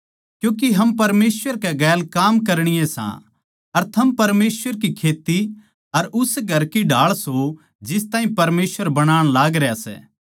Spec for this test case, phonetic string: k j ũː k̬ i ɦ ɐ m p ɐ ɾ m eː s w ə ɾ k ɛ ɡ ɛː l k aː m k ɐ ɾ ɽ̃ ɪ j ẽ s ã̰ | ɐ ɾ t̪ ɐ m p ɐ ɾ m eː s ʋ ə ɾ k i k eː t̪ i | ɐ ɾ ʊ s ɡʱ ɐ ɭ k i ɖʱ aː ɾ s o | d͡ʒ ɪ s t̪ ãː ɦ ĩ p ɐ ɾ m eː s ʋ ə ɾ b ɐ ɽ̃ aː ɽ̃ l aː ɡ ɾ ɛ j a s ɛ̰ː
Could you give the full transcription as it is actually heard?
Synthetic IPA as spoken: k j ũː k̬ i ɦ ɐ m p ɐ ɾ m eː s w ə ɾ k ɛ ɡ ɛː l k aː m k ɐ ɾ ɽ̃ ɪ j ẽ s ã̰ | ɐ ɾ t̪ʰ ɐ m p ɐ ɾ m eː s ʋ ə ɾ k i kʰ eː t̪ i | ɐ ɾ ʊ s ɡʱ ɐ ɾ k i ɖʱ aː ɭ s o | d͡ʒ ɪ s t̪ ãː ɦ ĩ p ɐ ɾ m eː s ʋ ə ɾ b ɐ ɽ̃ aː ɽ̃ l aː ɡ ɾ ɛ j a s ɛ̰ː